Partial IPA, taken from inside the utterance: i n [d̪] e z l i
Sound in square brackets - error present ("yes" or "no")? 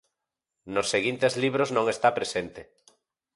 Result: yes